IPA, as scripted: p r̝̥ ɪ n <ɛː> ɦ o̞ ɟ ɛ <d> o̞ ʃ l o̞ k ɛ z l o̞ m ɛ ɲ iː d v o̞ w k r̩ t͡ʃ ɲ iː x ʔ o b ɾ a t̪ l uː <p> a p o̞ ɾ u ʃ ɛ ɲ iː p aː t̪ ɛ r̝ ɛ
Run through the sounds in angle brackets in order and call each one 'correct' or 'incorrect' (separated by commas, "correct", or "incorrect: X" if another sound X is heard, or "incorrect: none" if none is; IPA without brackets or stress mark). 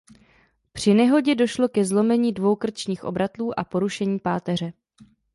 incorrect: ɛ, correct, incorrect: ʔ